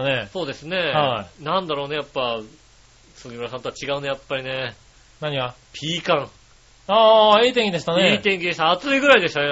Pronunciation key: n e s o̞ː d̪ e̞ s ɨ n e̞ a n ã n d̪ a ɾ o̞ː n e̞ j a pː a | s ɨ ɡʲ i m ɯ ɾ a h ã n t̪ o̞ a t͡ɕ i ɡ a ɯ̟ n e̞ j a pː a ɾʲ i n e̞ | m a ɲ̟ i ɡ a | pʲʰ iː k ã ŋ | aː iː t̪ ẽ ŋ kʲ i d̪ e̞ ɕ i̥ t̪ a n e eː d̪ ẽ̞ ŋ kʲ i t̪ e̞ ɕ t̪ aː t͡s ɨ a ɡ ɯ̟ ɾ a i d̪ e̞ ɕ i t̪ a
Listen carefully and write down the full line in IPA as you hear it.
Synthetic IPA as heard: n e s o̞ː d̪ e̞ s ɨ n e̞ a n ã n d̪ a ɾ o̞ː n e̞ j a pː a | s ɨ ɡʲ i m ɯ ɾ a s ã n t̪ o̞ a t͡ɕ i ɡ a ɯ̟ n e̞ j a pː a ɾʲ i n e̞ | n a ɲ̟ i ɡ a | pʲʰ iː k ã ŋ | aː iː t̪ ẽ ŋ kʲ i d̪ e̞ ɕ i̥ t̪ a n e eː t̪ ẽ̞ ŋ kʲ i d̪ e̞ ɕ t̪ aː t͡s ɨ i ɡ ɯ̟ ɾ a i d̪ e̞ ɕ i t̪ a